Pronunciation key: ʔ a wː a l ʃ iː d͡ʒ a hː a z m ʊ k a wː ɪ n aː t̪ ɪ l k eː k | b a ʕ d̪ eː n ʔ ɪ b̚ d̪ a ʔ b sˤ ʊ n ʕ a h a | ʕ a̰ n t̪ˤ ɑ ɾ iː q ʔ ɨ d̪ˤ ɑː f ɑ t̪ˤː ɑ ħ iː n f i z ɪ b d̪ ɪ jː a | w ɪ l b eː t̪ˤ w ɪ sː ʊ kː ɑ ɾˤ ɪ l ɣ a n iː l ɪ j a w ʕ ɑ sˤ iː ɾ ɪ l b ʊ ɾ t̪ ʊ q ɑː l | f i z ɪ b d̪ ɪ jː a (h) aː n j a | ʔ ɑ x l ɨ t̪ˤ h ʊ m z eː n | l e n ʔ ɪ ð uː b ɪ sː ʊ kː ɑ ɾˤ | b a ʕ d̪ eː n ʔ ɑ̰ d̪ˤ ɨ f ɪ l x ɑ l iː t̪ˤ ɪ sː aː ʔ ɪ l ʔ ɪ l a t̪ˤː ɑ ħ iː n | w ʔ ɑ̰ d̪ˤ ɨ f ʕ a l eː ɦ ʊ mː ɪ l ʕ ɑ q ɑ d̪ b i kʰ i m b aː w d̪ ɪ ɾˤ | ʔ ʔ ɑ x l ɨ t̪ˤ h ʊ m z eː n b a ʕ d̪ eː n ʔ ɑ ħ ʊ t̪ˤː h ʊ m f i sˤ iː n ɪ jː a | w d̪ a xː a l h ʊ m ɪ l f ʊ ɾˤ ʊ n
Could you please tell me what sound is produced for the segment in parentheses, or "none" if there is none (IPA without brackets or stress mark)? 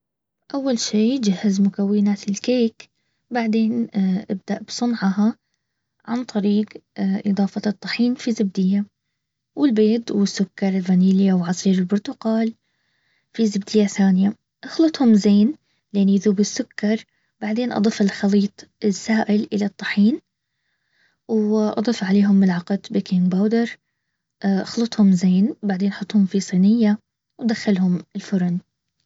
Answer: θ